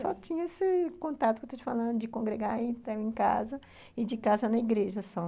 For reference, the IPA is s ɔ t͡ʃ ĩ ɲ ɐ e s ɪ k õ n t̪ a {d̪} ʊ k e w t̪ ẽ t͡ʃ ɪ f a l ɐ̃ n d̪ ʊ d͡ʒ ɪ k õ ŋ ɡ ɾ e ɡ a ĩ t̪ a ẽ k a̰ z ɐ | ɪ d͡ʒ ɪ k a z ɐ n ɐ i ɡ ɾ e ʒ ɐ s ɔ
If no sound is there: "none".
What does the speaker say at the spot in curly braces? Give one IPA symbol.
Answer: t̪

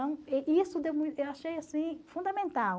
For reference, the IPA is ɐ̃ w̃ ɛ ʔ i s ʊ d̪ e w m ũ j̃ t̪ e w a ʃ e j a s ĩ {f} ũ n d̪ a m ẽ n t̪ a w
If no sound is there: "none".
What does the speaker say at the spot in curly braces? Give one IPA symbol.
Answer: f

